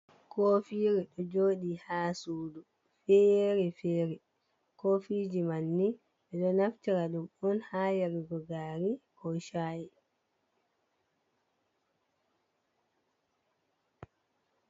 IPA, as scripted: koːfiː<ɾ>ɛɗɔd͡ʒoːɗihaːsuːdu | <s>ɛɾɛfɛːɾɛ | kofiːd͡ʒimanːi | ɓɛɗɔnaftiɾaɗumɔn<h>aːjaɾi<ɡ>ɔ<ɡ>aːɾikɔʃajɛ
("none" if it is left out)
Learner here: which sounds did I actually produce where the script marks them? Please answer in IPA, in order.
ɾ, f, h, ɡ, ɡ

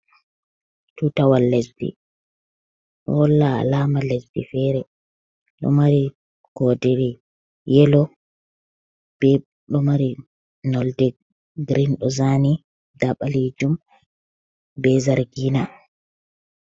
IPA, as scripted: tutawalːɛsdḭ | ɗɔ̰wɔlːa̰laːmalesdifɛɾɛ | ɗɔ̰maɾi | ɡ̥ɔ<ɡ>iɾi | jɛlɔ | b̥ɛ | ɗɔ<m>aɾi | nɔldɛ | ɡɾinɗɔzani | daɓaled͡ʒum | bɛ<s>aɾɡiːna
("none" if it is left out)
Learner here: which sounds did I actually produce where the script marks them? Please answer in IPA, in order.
d, m, z

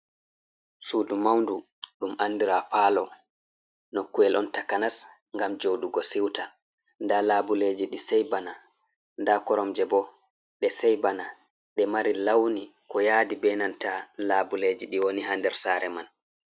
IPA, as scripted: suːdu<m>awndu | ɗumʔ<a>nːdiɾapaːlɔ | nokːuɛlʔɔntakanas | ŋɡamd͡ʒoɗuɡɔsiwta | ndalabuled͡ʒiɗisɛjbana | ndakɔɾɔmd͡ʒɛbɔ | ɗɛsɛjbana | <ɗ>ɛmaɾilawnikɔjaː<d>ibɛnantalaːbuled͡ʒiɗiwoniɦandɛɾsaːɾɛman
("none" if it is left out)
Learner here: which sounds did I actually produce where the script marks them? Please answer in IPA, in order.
m, a, ɗ, d

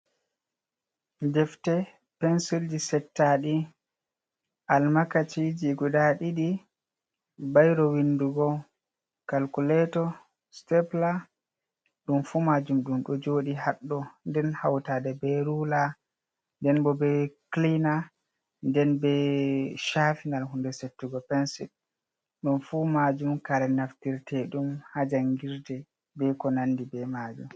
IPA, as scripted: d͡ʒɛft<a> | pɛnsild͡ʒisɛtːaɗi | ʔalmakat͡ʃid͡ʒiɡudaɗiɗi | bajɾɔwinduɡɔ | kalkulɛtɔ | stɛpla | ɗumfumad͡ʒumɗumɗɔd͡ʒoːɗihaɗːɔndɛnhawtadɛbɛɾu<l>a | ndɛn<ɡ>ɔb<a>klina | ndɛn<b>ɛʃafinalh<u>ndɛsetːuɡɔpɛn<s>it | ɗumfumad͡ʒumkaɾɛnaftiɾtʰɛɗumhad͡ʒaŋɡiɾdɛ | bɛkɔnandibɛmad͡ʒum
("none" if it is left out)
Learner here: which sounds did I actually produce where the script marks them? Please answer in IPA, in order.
ɛ, l, b, ɛ, b, u, s

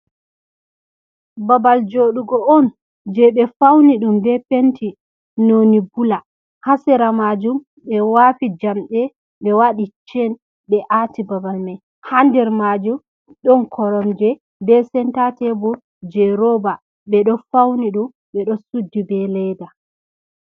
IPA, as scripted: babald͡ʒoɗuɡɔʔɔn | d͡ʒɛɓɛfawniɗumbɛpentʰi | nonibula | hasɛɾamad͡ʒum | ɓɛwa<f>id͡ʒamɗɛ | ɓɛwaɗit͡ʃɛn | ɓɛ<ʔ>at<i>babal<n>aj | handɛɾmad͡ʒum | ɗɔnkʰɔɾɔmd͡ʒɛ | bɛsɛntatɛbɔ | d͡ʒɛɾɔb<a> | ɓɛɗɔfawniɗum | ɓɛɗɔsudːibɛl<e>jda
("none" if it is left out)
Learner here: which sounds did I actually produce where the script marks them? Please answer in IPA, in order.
f, ʔ, i, m, a, ɛ

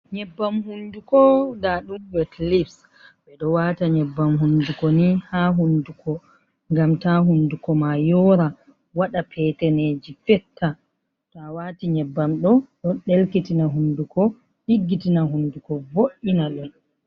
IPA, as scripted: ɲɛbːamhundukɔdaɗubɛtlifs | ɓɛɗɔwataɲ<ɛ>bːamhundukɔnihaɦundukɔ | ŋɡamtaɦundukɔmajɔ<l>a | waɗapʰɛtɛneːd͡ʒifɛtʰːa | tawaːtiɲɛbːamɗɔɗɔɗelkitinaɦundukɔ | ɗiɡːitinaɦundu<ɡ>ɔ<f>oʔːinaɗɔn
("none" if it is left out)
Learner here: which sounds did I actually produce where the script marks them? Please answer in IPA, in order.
ɛ, ɾ, k, v

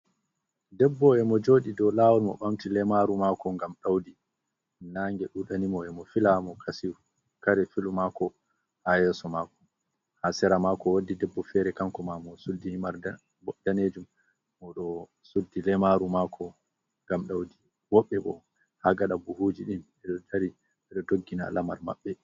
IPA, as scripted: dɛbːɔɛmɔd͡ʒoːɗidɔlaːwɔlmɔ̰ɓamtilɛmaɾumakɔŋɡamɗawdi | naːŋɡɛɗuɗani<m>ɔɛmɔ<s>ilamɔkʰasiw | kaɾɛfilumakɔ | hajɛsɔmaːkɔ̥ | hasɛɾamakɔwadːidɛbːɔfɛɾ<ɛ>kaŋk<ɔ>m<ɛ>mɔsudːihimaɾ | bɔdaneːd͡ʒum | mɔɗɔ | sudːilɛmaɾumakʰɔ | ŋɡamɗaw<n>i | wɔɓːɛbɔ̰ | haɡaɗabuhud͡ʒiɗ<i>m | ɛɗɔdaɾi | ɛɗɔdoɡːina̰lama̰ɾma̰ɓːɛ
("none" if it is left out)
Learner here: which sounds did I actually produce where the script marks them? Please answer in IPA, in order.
m, f, ɛ, ɔ, a, d, i

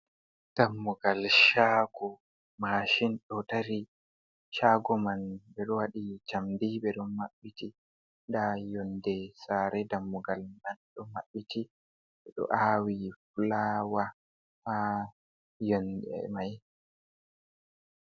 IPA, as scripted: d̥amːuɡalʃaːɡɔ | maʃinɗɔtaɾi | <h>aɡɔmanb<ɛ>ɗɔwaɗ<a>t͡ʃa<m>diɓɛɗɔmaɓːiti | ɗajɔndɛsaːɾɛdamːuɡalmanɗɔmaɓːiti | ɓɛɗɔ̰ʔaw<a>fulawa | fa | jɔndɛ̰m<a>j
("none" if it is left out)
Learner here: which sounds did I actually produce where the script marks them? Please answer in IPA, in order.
ʃ, ɛ, i, m, i, a

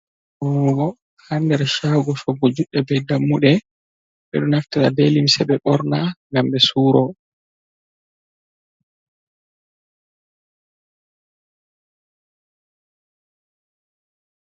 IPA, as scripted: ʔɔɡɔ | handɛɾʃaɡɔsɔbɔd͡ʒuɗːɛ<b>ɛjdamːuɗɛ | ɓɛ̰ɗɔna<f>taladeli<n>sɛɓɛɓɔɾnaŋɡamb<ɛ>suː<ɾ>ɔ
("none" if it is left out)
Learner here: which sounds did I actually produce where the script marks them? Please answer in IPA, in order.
b, f, m, ɛ, ɾ

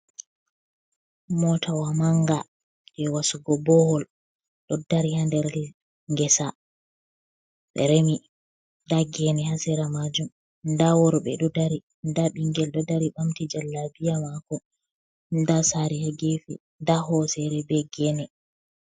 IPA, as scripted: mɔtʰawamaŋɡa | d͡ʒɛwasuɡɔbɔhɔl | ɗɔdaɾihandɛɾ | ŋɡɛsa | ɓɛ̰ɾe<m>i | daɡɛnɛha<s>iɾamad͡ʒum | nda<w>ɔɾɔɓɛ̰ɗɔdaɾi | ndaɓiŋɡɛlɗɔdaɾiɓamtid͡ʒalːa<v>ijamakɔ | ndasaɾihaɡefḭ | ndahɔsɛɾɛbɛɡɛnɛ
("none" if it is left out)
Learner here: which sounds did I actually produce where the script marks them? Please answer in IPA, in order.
m, s, w, b

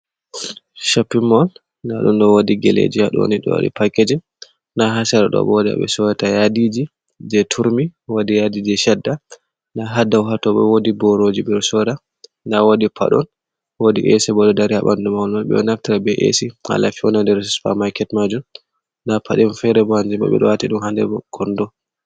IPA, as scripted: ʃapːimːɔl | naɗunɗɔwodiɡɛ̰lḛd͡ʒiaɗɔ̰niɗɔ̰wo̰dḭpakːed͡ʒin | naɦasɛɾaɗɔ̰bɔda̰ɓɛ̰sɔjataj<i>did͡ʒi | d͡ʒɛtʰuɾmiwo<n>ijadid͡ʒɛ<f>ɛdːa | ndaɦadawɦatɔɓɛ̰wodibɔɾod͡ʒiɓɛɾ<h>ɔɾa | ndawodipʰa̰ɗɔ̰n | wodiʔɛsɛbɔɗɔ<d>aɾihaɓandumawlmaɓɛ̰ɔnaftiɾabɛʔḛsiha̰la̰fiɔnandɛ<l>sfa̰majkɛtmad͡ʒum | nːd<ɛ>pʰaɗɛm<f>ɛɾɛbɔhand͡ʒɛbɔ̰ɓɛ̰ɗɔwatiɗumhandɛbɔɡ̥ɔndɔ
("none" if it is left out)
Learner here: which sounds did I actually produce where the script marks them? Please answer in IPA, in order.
a, d, ʃ, s, d, ɾ, a, f

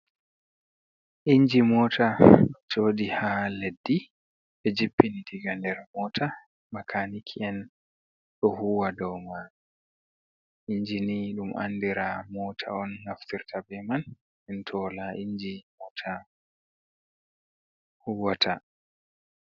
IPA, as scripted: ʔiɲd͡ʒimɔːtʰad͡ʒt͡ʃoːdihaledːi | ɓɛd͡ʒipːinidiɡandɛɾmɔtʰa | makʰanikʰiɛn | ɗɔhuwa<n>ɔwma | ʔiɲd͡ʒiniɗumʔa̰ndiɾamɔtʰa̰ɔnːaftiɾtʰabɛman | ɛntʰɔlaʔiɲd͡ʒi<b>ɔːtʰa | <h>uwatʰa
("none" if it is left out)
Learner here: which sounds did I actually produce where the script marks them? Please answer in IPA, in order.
d, m, h

